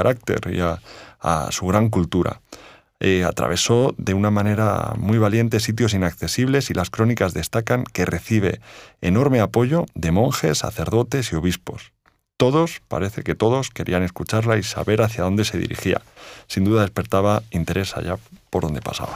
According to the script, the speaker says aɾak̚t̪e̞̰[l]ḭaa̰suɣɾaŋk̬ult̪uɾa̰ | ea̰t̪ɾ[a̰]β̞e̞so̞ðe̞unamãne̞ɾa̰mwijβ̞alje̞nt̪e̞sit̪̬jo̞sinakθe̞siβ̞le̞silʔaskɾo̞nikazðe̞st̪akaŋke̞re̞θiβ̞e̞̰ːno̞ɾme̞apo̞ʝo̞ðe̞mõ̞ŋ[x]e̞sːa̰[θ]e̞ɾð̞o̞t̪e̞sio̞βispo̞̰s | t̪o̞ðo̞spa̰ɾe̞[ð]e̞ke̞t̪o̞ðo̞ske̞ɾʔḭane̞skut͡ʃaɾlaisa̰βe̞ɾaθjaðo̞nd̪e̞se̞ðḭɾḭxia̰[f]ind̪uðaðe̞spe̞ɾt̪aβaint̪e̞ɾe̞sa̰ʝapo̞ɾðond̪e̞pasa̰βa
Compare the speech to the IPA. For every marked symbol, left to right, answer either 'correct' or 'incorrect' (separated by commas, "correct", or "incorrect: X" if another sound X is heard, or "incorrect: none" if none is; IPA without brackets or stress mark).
incorrect: ɾ, correct, correct, correct, incorrect: θ, incorrect: s